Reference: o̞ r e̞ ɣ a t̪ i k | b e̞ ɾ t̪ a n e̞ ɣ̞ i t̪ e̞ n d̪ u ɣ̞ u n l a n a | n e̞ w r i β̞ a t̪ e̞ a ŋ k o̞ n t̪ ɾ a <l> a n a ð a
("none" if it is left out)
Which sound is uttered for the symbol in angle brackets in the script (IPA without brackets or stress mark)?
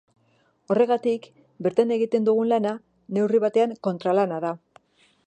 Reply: l